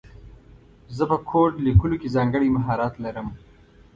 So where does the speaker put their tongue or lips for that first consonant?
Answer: tongue tip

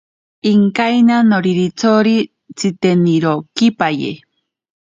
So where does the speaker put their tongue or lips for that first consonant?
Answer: velum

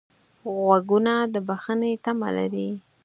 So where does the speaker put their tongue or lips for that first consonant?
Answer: velum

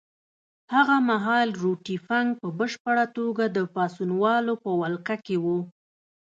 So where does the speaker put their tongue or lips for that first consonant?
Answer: throat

